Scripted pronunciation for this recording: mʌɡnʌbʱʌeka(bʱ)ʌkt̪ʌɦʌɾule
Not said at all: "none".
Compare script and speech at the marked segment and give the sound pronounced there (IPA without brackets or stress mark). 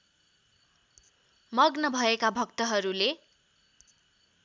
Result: bʱ